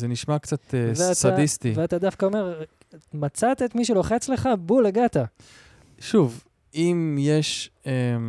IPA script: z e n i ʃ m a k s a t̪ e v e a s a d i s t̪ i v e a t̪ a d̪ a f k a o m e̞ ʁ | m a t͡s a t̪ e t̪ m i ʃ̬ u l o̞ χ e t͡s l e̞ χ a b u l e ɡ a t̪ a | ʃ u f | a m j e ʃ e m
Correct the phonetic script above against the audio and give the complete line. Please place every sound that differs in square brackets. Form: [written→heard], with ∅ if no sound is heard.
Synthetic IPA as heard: z e n i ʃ m a k [s→t͡s] a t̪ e v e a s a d i s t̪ i v e a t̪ a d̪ a f k a o m e̞ ʁ | m a t͡s a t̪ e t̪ m i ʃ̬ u l o̞ χ e t͡s l e̞ χ a b u l e ɡ a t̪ a | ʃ u [f→v] | [a→i] m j e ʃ e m